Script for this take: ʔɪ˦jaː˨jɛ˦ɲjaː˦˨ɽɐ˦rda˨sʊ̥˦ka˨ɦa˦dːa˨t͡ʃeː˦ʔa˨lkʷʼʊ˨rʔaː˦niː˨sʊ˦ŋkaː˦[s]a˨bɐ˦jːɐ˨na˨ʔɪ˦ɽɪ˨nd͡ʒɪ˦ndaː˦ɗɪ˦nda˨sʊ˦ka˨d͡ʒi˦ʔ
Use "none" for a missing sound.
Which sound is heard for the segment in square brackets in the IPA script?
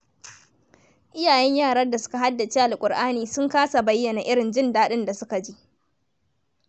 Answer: s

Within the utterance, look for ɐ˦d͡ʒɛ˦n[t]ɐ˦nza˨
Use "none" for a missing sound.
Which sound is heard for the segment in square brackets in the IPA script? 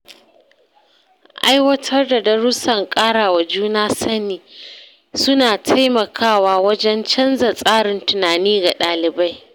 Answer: t͡ʃ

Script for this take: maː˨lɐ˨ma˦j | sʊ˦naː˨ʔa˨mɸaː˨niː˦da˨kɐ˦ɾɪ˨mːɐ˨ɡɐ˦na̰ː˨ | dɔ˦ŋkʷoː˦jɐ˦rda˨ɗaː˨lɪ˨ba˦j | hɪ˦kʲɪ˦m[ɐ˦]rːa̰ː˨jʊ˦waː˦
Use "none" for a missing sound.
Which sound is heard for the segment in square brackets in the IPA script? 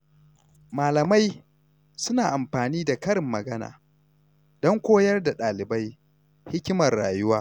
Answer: ɐ˨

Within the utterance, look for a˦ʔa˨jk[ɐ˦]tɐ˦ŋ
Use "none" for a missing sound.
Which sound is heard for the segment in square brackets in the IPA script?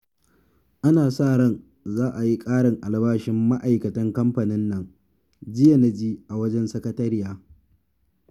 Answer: ɐ˨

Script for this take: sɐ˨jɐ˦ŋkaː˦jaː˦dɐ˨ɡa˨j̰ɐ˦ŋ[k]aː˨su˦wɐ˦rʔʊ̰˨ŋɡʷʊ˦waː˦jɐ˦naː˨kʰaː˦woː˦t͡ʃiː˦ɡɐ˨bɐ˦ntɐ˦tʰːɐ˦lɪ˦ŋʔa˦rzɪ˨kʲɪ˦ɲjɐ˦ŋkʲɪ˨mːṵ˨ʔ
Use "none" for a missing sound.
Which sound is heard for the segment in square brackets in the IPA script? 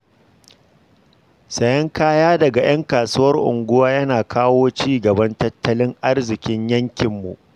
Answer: k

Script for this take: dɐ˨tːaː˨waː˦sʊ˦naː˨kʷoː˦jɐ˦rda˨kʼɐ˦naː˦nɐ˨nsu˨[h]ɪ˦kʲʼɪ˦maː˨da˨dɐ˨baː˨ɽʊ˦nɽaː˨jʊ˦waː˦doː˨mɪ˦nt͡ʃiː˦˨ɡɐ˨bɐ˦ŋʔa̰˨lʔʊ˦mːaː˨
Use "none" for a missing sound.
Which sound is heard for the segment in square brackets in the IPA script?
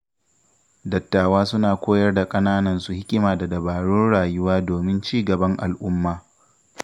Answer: h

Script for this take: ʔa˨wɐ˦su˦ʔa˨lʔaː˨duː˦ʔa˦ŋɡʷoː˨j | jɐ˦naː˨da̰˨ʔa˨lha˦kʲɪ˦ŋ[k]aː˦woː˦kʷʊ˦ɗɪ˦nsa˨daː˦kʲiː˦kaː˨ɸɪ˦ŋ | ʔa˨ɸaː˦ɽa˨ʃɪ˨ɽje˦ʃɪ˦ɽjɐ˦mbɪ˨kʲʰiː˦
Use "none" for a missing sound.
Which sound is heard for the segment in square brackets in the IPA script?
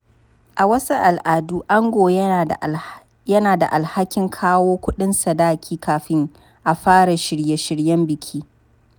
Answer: kʰ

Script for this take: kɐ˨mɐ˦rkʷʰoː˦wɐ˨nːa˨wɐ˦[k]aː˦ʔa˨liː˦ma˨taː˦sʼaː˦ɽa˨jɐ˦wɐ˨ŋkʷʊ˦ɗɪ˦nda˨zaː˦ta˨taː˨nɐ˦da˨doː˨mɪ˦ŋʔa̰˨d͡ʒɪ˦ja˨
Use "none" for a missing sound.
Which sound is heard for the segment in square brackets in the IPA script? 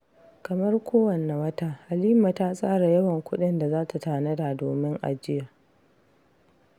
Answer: t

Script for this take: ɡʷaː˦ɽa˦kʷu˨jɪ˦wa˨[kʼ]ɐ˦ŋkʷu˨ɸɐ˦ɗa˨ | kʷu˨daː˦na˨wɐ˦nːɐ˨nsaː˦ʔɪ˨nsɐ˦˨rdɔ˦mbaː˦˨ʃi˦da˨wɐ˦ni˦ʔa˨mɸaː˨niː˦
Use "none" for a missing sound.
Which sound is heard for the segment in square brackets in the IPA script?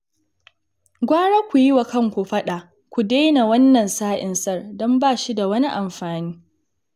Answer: k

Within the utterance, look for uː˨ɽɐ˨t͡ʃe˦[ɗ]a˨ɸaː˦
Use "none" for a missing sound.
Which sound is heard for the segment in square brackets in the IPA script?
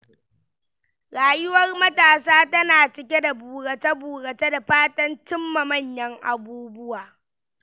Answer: d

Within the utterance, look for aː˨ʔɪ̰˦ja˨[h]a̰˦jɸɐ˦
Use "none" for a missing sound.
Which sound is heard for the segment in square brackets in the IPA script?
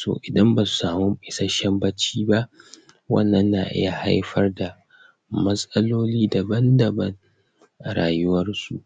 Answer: h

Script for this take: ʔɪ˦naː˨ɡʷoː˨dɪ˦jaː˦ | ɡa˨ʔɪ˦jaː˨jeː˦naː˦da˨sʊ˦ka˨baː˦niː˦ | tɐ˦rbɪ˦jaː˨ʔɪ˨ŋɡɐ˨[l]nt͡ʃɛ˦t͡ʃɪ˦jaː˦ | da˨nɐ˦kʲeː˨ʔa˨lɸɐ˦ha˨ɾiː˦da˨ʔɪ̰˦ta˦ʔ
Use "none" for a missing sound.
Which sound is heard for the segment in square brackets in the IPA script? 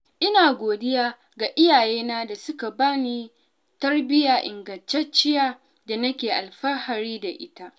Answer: none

